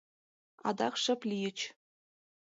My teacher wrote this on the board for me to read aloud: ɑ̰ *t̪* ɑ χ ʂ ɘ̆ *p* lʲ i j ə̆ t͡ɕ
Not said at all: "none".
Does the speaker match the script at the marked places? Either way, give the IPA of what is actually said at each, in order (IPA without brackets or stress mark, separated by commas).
d̪, p